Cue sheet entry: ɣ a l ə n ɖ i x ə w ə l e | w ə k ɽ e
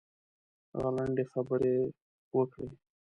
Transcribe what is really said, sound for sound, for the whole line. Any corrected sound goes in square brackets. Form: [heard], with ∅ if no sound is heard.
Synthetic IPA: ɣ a l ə [ɳ] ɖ [e] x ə [b] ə [ɾ] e | w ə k ɽ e